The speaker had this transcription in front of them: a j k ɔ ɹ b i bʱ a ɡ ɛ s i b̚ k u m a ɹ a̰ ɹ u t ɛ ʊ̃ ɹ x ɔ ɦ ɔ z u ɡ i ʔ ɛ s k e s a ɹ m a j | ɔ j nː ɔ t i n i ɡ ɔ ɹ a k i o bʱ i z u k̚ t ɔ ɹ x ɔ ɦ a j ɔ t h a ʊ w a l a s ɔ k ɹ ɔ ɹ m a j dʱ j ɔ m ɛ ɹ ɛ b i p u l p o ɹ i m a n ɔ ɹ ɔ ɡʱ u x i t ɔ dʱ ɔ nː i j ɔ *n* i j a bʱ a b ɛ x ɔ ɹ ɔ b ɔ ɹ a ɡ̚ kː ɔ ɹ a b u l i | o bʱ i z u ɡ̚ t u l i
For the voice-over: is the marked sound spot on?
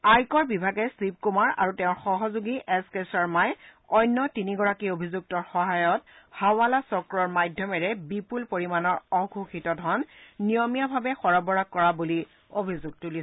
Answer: no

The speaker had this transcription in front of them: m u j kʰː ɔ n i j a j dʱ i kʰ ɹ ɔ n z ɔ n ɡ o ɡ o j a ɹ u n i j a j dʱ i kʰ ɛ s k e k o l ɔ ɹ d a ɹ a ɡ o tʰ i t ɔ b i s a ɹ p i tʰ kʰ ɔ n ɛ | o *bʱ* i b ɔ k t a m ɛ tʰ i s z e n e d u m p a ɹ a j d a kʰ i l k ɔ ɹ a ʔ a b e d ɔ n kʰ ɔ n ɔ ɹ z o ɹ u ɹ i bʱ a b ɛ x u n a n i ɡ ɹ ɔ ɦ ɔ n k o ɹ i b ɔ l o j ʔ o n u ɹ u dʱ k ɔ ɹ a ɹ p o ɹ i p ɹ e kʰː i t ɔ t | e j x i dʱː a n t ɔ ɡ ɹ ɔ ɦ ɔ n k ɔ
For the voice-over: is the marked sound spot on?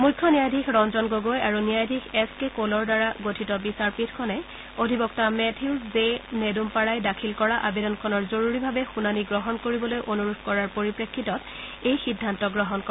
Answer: no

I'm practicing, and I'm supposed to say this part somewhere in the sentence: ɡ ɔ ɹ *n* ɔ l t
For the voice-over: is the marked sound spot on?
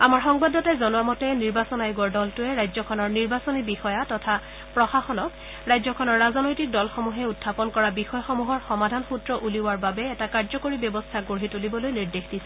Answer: no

